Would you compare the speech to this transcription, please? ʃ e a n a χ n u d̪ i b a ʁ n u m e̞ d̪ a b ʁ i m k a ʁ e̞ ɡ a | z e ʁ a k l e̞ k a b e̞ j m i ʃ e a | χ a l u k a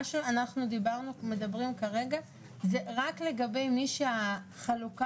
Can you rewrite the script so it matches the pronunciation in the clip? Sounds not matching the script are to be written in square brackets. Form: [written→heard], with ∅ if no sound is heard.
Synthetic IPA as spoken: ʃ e a n a χ n u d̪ i b a ʁ n u m e̞ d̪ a b ʁ i m k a ʁ e̞ ɡ a | z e ʁ a k l e̞ [k→ɡ] a b e̞ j m i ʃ e a | χ a l u k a